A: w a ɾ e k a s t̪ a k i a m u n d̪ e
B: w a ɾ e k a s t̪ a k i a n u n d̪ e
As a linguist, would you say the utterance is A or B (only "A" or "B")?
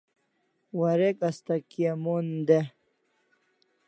A